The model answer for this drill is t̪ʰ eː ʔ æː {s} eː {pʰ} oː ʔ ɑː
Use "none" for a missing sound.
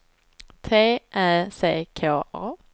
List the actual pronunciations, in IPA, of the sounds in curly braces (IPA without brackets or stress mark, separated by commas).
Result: s, kʰ